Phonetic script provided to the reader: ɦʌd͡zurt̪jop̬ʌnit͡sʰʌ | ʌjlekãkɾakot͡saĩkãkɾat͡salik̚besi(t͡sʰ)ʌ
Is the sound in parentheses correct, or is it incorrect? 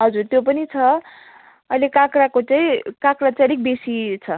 correct